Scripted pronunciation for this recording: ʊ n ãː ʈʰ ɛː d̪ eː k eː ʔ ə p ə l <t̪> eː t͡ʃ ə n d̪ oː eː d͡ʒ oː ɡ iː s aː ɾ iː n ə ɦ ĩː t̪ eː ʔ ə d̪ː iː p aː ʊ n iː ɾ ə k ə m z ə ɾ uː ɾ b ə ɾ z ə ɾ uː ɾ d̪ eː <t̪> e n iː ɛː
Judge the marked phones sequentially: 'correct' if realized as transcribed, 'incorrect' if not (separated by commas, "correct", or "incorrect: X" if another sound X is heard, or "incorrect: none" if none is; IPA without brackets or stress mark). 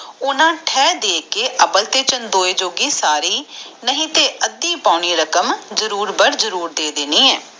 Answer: correct, incorrect: d̪